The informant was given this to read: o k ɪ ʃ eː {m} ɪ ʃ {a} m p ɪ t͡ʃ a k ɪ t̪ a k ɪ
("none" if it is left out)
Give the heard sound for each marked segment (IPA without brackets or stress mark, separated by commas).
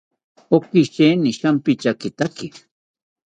n, a